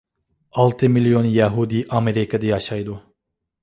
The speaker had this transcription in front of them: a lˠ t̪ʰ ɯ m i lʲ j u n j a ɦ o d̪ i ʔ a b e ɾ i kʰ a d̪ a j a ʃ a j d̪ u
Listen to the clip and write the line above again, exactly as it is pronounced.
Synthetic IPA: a lˠ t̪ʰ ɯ m i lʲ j o n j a ɦ u d̪ i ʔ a m e ɾ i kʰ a d̪ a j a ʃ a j d̪ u